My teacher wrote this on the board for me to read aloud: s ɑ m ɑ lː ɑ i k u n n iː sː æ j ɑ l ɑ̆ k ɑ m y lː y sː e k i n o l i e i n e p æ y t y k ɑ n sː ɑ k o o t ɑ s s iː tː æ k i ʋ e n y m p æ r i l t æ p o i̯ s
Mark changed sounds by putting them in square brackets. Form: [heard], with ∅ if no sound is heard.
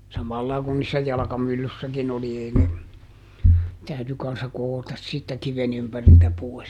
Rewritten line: s ɑ m ɑ lː ɑ i k u n n iː sː æ j ɑ l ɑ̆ k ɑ m y lː y sː [æ] k i n o l i e i n e [t] æ y t y k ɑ n sː ɑ k o o t ɑ s s iː tː æ k i ʋ e n y m p æ r i l t æ p o i̯ s